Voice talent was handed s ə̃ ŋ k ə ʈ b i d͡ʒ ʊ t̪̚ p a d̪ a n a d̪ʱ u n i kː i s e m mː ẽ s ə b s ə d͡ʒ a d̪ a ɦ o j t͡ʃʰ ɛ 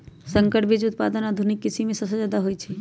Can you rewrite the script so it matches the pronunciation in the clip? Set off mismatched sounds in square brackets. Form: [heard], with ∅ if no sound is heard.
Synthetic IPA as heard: s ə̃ ŋ k ə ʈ b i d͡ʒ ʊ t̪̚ p a d̪ [ə] n a d̪ʱ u n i kː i s [i] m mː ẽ s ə b s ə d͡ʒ a d̪ a ɦ o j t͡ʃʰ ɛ

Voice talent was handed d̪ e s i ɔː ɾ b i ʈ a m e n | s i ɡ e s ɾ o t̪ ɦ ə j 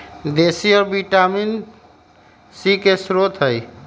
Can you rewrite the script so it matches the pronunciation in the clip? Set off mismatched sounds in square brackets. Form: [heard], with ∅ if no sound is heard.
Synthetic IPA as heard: d̪ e s i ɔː ɾ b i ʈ a m [i] n | s i [k] e s ɾ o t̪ ɦ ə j

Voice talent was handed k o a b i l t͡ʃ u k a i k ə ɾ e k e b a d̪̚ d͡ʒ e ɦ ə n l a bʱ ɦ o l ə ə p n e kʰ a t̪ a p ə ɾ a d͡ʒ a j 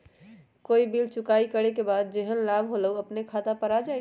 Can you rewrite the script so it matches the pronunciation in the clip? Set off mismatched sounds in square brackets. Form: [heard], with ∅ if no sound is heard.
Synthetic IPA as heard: k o [i] b i l t͡ʃ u k a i k ə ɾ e k e b a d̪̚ d͡ʒ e ɦ ə n l a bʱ ɦ o l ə ə p n e kʰ a t̪ a p ə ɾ a d͡ʒ a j

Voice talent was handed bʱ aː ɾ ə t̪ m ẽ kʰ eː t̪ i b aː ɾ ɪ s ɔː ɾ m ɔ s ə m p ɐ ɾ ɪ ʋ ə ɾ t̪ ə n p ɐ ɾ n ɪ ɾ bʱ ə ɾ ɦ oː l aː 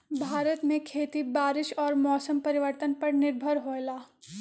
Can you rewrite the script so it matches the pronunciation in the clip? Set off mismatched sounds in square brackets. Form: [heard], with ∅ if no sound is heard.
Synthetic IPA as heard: bʱ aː ɾ ə t̪ m ẽ kʰ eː t̪ i b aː ɾ ɪ [ʃ] ɔː ɾ m [ɔː] s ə m p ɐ ɾ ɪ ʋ ə ɾ t̪ ə n p ɐ ɾ n ɪ ɾ bʱ ə ɾ ɦ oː l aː

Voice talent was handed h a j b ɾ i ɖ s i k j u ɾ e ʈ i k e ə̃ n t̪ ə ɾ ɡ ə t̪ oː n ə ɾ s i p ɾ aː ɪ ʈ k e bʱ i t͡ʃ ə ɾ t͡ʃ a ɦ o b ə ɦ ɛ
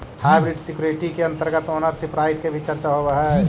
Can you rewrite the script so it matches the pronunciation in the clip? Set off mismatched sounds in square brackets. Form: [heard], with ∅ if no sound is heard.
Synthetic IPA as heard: h a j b ɾ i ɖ s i k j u ɾ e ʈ i k e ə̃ n t̪ ə ɾ ɡ ə t̪ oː n ə ɾ s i p ɾ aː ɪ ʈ k e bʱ i t͡ʃ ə ɾ t͡ʃ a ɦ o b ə ɦ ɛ

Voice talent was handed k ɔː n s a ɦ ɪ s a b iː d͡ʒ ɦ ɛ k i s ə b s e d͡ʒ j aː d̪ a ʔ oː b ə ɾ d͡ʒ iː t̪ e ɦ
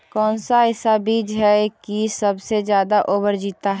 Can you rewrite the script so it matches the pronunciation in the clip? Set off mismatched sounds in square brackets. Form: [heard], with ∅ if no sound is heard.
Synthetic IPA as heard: k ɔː n s a ɦ ɪ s a b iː d͡ʒ ɦ ɛ k i s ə b s e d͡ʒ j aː d̪ a ʔ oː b ə ɾ d͡ʒ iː t̪ [a] ɦ

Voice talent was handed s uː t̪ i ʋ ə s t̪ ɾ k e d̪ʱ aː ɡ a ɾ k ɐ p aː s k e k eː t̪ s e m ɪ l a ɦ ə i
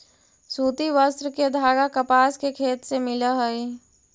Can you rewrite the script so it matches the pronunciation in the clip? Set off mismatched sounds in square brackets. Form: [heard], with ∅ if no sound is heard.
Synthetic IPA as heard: s uː t̪ i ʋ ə s t̪ ɾ k e d̪ʱ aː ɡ a [∅] k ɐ p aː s k e [kʰ] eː t̪ s e m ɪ l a ɦ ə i

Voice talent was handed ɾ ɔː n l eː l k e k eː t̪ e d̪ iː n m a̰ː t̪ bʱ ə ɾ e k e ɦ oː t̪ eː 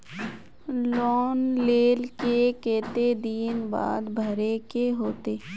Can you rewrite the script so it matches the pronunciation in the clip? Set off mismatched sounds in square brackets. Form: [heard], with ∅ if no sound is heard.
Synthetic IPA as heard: [l] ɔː n l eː l k e k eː t̪ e d̪ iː n [b] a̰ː [d̪] bʱ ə ɾ e k e ɦ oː t̪ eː

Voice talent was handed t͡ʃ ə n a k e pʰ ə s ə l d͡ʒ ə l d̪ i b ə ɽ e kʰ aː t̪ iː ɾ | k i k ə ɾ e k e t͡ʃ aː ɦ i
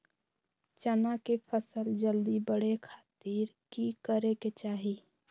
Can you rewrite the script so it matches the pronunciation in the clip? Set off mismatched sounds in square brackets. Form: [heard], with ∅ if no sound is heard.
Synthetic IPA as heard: t͡ʃ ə n a k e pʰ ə s ə l d͡ʒ ə l d̪ i b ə ɽ e kʰ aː t̪ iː ɾ | k i k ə ɾ e k e t͡ʃ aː ɦ i

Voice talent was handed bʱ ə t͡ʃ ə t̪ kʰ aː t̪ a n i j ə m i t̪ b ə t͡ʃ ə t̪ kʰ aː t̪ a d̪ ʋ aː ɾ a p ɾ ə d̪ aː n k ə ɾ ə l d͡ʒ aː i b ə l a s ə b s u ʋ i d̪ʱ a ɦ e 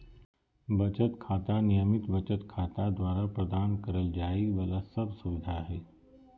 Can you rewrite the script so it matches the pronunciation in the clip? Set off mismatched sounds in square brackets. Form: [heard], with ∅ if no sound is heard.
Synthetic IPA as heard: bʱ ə t͡ʃ ə t̪ kʰ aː t̪ a n i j ə m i t̪ b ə t͡ʃ ə t̪ kʰ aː t̪ a d̪ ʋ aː ɾ a p ɾ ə d̪ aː n k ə ɾ ə l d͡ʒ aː i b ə l a s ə b s u ʋ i d̪ʱ a ɦ e

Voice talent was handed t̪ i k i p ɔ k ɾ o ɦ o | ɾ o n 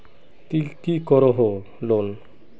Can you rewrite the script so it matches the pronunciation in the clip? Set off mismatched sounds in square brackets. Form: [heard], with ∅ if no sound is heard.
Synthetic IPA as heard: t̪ i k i [k] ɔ [∅] ɾ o ɦ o | [l] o n

